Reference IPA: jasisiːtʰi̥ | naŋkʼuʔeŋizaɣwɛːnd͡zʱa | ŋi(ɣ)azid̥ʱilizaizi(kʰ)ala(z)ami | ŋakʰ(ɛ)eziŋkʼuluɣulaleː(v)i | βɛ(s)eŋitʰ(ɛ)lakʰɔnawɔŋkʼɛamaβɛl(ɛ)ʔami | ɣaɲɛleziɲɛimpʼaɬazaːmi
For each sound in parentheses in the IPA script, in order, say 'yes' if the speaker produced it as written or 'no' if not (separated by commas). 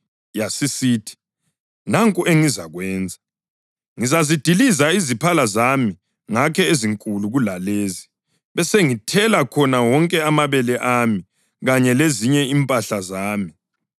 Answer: no, no, yes, yes, no, yes, yes, yes